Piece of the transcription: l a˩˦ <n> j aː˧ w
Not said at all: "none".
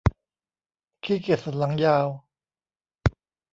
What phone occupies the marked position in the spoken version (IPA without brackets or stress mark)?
ŋ